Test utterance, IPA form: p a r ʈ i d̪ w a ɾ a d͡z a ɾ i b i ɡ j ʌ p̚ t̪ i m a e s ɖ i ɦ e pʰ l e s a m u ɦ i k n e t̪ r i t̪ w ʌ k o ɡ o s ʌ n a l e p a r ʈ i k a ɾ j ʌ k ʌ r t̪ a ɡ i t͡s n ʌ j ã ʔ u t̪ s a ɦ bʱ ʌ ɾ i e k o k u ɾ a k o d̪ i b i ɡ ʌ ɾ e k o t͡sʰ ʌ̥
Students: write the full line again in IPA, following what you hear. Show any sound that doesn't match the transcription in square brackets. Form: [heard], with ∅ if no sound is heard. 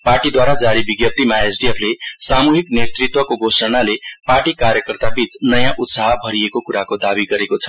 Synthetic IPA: p a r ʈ i d̪ w a ɾ a d͡z a ɾ i b i ɡ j ʌ p̚ t̪ i m a e s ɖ i [∅] e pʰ l e s a m u ɦ i k n e t̪ r i t̪ w ʌ k o ɡ o s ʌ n a l e p a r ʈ i k a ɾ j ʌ k ʌ r t̪ a [b] i t͡s n ʌ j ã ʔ u t̪ s a ɦ bʱ ʌ ɾ i e k o k u ɾ a k o d̪ [a] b i ɡ ʌ ɾ e k o t͡sʰ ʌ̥